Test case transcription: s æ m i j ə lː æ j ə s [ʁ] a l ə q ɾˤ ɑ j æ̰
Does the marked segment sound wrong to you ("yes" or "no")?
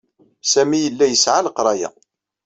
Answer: yes